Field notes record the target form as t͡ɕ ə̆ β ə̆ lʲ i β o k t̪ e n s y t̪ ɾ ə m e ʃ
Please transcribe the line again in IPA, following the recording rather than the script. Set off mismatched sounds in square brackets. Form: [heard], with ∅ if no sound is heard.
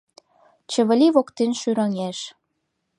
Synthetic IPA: t͡ɕ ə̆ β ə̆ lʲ i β o k t̪ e n [ʃ] y [∅] ɾ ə [ŋ] e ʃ